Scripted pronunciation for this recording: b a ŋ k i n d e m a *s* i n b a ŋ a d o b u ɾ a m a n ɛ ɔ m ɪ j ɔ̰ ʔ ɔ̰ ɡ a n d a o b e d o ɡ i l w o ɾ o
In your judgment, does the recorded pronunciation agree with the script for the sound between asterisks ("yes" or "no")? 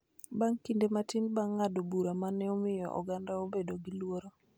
no